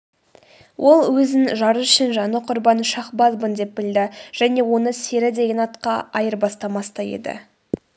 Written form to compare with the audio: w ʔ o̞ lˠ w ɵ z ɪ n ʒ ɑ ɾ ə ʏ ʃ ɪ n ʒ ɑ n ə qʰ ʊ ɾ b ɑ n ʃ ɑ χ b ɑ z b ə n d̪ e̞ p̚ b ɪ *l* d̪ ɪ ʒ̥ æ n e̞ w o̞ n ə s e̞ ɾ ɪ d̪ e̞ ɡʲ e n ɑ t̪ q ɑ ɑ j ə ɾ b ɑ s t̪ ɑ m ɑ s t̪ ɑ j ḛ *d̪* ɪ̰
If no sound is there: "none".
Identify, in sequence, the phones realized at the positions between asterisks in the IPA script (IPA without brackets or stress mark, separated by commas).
l, d̪